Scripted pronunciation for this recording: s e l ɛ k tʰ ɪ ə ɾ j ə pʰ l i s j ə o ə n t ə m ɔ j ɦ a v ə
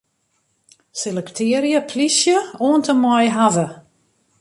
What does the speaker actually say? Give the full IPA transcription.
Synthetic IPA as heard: s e l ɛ k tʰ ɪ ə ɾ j ə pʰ l i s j ə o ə n t ə m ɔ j ɦ a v ə